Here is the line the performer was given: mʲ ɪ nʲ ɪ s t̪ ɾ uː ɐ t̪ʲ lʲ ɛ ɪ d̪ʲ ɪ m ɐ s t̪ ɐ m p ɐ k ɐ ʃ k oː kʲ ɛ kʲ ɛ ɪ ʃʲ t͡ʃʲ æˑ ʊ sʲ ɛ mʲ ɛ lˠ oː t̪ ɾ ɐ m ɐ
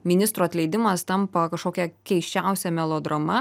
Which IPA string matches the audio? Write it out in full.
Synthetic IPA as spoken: mʲ ɪ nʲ ɪ s t̪ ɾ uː ɐ t̪ʲ lʲ ɛ ɪ d̪ʲ ɪ m ɐ s t̪ ɐ m p ɐ k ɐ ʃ k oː kʲ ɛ kʲ ɛ ɪ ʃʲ t͡ʃʲ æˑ ʊ sʲ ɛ mʲ ɛ lˠ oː d̪ ɾ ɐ m ɐ

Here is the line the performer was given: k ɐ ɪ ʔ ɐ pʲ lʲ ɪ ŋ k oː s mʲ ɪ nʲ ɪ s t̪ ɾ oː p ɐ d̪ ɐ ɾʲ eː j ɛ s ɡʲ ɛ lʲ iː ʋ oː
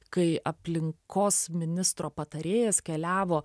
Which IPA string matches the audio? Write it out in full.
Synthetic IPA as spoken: k ɐ ɪ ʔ ɐ pʲ lʲ ɪ ŋ k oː s mʲ ɪ nʲ ɪ s t̪ ɾ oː p ɐ t̪ ɐ ɾʲ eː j ɛ s kʲ ɛ lʲ æː ʋ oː

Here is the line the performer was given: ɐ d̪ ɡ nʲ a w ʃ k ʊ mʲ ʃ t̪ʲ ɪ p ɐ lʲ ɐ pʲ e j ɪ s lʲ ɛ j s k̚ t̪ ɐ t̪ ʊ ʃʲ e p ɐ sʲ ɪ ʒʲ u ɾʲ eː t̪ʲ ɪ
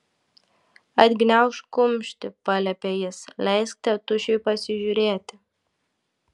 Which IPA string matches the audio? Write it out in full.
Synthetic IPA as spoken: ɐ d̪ ɡ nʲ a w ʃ k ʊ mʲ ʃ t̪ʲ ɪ p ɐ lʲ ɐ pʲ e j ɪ s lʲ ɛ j s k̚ t̪ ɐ t̪ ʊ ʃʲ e p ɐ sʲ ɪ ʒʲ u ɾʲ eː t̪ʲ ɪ

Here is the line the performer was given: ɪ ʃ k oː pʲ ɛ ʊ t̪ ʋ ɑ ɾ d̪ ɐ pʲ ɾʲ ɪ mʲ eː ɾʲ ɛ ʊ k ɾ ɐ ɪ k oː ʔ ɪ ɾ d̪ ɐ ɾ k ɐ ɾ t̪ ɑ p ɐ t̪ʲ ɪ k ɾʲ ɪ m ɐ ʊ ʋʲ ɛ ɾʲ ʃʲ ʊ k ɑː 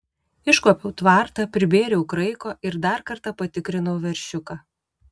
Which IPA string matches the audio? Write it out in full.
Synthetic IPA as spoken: ɪ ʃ k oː pʲ ɛ ʊ t̪ ʋ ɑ ɾ t̪ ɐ pʲ ɾʲ ɪ bʲ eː ɾʲ ɛ ʊ k ɾ ɐ ɪ k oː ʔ ɪ ɾ d̪ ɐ ɾ k ɐ ɾ t̪ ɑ p ɐ t̪ʲ ɪ k ɾʲ ɪ n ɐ ʊ ʋʲ ɛ ɾʲ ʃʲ ʊ k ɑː

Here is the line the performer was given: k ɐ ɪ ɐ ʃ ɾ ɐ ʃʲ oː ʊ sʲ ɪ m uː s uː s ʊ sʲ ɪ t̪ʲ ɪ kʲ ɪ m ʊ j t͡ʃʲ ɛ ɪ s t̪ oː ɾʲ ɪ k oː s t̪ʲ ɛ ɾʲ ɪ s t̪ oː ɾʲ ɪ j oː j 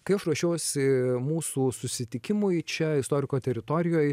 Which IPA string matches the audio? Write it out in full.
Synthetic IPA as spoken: k ɐ ɪ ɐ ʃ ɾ ɐ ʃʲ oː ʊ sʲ ɪ m uː s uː s ʊ sʲ ɪ t̪ʲ ɪ kʲ ɪ m ʊ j t͡ʃʲ ɛ ɪ s t̪ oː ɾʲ ɪ k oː t̪ʲ ɛ ɾʲ ɪ t̪ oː ɾʲ ɪ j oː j

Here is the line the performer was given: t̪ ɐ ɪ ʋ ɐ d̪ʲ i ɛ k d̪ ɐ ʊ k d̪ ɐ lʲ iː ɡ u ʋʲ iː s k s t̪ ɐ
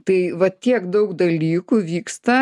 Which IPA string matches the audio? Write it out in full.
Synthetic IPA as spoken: t̪ ɐ ɪ ʋ ɐ t̪ʲ i ɛ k d̪ ɐ ʊ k d̪ ɐ lʲ iː k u ʋʲ iː k s t̪ ɐ

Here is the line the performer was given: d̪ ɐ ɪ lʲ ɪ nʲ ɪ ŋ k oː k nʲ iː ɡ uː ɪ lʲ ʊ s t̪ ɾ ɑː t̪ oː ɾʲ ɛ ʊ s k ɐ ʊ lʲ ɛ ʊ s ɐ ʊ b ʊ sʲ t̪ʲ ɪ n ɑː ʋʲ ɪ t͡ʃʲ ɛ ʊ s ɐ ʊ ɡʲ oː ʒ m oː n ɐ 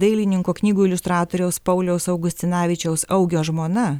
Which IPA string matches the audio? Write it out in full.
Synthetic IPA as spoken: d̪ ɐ ɪ lʲ ɪ nʲ ɪ ŋ k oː k nʲ iː ɡ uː ɪ lʲ ʊ s t̪ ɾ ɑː t̪ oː ɾʲ ɛ ʊ s p ɐ ʊ lʲ ɛ ʊ s ɐ ʊ ɡ ʊ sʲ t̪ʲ ɪ n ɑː ʋʲ ɪ t͡ʃʲ ɛ ʊ s ɐ ʊ ɡʲ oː ʒ m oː n ɐ

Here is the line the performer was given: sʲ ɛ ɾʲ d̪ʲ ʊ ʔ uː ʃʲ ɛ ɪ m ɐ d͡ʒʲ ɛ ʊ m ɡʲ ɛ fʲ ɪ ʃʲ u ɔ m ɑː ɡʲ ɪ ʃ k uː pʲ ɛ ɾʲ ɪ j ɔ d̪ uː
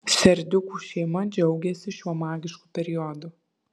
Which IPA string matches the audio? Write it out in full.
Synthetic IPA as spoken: sʲ ɛ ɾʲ d̪ʲ ʊ k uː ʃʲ ɛ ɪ m ɐ d͡ʒʲ ɛ ʊ ɡʲ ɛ sʲ ɪ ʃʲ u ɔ m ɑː ɡʲ ɪ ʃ k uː pʲ ɛ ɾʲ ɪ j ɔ d̪ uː

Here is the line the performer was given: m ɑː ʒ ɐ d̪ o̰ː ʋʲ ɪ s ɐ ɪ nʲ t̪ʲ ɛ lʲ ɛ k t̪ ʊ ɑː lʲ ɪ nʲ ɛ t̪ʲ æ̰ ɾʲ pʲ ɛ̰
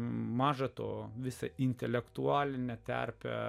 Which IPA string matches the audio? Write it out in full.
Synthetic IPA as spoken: m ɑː ʒ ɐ t̪ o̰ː ʋʲ ɪ s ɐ ɪ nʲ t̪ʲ ɛ lʲ ɛ k t̪ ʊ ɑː lʲ ɪ nʲ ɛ t̪ʲ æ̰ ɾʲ pʲ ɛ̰

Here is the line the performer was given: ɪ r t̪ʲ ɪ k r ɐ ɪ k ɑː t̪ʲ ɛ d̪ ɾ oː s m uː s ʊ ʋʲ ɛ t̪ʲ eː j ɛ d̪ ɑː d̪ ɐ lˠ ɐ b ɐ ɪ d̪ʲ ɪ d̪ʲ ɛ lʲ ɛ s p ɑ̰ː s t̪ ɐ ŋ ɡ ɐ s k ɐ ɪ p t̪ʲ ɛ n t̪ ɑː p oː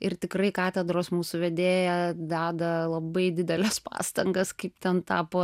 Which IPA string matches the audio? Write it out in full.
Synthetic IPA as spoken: ɪ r t̪ʲ ɪ k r ɐ ɪ k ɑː t̪ʲ ɛ d̪ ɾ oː s m uː s ʊ ʋʲ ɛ d̪ʲ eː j ɛ d̪ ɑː d̪ ɐ lˠ ɐ b ɐ ɪ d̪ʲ ɪ d̪ʲ ɛ lʲ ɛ s p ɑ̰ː s t̪ ɐ ŋ ɡ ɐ s k ɐ ɪ p t̪ʲ ɛ n t̪ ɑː p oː

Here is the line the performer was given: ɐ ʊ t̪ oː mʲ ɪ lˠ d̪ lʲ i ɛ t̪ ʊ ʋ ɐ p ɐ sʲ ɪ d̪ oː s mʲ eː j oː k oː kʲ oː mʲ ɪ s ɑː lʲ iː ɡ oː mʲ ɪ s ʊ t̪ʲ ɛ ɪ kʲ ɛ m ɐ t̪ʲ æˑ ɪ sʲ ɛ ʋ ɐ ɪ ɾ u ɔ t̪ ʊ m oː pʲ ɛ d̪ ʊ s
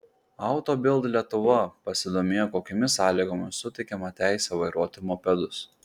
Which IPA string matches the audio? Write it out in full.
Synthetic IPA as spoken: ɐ ʊ t̪ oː bʲ ɪ lˠ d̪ lʲ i ɛ t̪ ʊ ʋ ɐ p ɐ sʲ ɪ d̪ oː mʲ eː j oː k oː kʲ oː mʲ ɪ s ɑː lʲ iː ɡ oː mʲ ɪ s ʊ t̪ʲ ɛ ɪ kʲ ɛ m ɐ t̪ʲ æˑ ɪ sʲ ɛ ʋ ɐ ɪ ɾ u ɔ t̪ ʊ m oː pʲ ɛ d̪ ʊ s

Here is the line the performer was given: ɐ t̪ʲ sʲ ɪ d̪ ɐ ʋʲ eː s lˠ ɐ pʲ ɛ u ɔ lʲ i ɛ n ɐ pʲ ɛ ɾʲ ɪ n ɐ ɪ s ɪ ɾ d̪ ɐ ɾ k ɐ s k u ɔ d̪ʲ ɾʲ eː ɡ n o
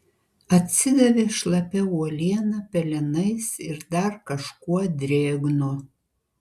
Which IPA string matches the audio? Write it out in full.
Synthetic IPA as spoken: ɐ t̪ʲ sʲ ɪ d̪ ɐ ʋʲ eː ʃ lˠ ɐ pʲ ɛ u ɔ lʲ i ɛ n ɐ pʲ ɛ lʲ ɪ n ɐ ɪ s ɪ ɾ d̪ ɐ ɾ k ɐ ʃ k u ɔ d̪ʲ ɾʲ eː ɡ n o

